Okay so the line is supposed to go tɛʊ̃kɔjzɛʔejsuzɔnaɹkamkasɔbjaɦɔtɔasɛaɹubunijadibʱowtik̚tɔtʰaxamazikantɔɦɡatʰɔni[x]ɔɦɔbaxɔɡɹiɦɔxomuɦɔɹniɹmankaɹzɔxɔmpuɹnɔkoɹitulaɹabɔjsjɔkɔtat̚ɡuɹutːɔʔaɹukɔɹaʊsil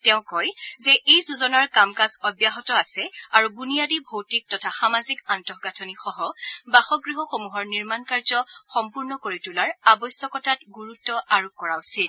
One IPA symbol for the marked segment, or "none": x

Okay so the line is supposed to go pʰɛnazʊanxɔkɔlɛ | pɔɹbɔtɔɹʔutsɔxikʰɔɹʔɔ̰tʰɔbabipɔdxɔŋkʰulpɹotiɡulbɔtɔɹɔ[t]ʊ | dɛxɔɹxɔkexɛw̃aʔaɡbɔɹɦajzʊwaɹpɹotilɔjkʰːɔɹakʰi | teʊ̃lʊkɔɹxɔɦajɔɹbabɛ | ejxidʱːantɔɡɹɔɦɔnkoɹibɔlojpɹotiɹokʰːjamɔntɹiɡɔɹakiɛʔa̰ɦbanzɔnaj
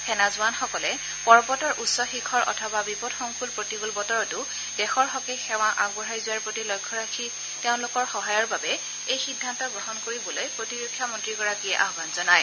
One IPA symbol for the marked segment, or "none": t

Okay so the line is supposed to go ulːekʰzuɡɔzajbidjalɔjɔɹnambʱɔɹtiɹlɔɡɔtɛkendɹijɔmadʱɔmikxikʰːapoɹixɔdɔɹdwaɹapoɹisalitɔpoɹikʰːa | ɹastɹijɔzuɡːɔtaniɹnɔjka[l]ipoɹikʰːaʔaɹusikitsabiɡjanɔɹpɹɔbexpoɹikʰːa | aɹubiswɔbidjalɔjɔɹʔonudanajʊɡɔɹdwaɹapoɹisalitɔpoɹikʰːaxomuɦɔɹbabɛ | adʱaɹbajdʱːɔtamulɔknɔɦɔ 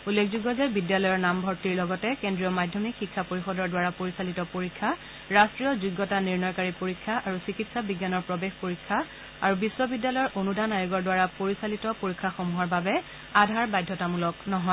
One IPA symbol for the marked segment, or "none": ɹ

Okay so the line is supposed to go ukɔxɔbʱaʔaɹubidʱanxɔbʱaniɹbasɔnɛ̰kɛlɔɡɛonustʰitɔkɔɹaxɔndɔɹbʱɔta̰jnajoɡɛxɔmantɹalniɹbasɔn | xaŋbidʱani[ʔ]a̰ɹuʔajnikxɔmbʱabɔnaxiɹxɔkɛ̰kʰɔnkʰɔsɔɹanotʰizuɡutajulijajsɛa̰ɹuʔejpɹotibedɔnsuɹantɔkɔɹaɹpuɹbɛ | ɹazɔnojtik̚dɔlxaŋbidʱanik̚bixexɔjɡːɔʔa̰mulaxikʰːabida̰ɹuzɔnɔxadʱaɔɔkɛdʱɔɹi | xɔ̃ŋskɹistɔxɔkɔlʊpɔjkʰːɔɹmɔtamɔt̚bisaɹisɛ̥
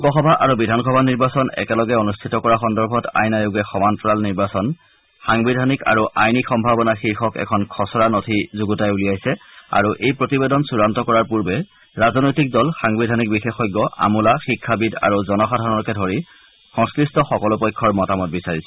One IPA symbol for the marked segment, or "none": k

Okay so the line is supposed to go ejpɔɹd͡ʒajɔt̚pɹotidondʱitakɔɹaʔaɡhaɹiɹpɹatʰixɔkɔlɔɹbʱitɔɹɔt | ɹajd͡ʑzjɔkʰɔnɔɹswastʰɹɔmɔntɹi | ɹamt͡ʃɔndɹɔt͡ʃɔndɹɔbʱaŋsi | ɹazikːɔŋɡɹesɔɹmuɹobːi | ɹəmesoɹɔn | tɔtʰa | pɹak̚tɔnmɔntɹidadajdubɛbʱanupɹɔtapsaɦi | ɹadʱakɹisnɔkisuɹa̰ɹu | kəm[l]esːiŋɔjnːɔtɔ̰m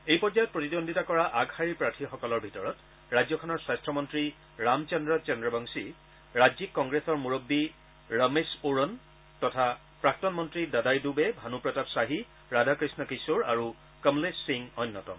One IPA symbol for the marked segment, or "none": l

